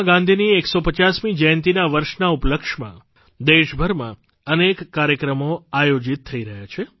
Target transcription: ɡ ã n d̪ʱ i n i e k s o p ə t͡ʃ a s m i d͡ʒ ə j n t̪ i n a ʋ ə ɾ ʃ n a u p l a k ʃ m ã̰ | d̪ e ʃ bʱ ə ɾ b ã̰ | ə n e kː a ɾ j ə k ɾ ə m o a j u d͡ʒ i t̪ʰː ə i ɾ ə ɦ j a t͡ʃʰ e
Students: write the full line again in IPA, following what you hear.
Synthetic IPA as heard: ɡ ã n d̪ʱ i n i e k s o p ə t͡ʃ a s m i d͡ʒ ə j n t̪ i n a ʋ ə ɾ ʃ n a u p l ə k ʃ m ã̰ | d̪ e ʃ bʱ ə ɾ m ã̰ | ə n e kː a ɾ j ə k ɾ ə m o a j o d͡ʒ i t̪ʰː ə i ɾ ə ɦ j a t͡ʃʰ e